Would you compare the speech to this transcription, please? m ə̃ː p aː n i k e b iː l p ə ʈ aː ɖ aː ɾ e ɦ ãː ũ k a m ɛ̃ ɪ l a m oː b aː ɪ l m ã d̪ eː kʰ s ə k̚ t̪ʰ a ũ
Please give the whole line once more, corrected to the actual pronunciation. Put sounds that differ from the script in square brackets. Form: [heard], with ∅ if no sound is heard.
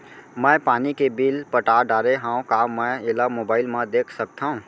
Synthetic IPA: m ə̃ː p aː n i k e b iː l p ə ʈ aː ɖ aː ɾ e ɦ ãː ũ k a m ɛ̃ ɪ l a m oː b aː ɪ l m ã d̪ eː kʰ s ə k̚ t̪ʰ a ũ